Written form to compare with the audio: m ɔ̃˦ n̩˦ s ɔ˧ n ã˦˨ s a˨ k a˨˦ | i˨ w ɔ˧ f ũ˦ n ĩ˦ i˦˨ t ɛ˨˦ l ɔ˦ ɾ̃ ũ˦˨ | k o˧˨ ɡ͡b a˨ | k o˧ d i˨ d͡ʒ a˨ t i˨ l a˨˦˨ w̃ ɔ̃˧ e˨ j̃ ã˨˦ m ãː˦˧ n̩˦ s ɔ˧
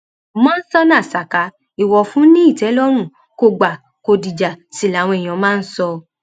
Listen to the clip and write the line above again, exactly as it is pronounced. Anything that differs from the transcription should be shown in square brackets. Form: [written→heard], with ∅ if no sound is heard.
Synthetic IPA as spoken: m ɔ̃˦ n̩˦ s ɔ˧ n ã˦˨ s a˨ k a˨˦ | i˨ w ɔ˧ f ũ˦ n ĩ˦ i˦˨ t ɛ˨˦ l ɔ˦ ɾ̃ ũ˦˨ | k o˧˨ ɡ͡b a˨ | k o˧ d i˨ d͡ʒ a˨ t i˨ l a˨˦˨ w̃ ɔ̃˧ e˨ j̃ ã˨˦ m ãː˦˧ n̩˦ s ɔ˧